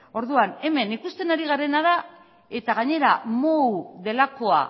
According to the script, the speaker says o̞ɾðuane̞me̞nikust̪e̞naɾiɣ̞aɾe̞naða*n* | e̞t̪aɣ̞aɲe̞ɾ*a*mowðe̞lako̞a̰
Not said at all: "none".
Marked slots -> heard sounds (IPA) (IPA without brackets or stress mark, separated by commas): none, a